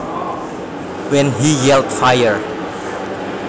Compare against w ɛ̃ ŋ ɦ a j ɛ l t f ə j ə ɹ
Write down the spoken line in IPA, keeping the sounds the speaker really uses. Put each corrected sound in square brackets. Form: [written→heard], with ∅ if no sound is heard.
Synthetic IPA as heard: w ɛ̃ [ŋ→n] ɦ [a→i] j ɛ l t f [ə→a] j ə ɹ